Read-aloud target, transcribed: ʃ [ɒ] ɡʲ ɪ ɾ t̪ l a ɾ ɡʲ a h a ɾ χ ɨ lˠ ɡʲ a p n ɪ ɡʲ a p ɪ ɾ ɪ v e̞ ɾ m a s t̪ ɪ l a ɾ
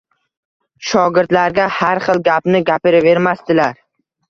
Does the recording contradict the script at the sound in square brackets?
no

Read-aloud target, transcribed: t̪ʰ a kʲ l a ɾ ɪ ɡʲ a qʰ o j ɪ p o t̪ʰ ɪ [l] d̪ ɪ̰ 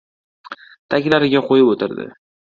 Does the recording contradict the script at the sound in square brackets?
yes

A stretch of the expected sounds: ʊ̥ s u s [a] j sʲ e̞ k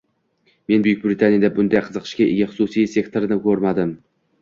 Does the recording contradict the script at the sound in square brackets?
yes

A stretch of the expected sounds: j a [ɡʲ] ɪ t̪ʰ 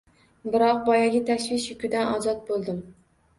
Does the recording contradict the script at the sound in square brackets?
no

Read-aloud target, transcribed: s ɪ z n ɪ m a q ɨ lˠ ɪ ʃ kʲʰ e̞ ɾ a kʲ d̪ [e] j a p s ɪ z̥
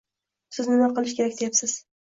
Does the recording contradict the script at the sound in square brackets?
no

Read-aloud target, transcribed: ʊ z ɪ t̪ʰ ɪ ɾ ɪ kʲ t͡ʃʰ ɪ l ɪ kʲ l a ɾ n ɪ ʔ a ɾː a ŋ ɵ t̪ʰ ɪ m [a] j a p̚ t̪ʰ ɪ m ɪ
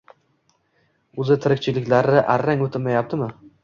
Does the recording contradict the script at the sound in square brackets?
no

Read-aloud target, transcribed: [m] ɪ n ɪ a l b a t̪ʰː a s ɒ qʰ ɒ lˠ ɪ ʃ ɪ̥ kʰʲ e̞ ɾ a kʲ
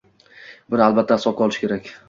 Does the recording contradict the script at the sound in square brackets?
yes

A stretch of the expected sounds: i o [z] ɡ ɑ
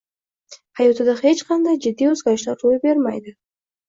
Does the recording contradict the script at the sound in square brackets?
no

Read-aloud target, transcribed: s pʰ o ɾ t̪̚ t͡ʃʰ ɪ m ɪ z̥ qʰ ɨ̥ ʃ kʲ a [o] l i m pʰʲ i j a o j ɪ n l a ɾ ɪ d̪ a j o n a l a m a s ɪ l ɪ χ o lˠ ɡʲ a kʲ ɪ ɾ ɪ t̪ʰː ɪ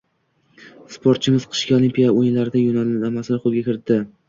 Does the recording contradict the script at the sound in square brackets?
no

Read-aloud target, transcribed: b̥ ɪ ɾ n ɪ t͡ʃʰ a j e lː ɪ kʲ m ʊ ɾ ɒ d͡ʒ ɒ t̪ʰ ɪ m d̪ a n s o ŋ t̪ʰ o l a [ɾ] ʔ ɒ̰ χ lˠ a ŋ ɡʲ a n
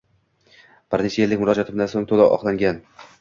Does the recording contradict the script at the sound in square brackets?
yes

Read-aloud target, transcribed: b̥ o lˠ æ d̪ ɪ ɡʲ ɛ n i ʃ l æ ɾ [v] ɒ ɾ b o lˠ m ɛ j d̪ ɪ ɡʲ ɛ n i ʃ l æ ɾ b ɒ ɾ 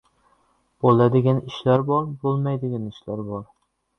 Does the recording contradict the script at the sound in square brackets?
yes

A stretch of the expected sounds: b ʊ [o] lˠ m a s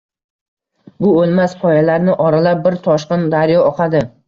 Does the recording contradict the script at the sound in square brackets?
no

